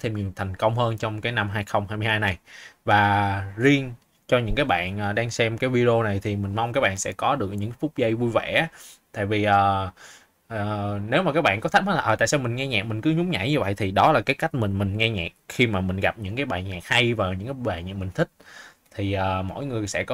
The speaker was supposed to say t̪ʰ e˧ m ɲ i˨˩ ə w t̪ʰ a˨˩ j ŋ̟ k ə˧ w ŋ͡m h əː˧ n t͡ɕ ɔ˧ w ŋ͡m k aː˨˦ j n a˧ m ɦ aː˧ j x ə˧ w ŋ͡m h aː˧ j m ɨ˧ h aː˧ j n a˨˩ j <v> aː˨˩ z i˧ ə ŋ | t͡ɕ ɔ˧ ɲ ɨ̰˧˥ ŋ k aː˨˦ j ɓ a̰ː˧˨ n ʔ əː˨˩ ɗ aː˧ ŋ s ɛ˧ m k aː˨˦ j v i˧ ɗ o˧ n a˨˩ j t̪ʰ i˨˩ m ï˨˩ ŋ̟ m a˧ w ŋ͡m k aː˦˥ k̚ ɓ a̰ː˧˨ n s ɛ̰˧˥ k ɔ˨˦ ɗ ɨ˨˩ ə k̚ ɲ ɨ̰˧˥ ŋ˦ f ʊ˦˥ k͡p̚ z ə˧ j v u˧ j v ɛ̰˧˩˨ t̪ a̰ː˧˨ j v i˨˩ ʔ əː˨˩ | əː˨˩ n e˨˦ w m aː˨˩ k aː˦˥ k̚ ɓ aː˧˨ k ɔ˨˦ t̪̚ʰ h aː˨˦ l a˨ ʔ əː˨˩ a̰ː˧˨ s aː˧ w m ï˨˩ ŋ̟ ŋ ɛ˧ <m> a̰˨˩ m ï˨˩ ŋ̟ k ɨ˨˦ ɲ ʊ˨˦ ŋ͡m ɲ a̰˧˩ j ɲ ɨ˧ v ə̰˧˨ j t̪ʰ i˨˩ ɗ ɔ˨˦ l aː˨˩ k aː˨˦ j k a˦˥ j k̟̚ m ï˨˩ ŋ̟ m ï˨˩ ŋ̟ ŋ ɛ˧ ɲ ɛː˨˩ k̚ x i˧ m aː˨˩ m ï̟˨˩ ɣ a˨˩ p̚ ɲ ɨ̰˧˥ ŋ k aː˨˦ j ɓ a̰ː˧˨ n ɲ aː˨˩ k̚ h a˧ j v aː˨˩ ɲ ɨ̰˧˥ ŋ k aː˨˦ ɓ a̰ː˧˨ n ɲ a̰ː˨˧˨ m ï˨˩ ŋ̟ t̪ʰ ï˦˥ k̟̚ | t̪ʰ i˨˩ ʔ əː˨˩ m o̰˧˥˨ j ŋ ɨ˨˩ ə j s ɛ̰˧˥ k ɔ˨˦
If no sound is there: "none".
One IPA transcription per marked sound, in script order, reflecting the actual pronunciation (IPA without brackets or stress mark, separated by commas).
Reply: v, ɲ